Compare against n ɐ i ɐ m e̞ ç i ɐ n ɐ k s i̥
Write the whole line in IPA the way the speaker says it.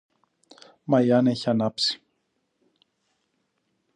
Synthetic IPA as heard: m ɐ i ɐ n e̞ ç i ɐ n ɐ p s i̥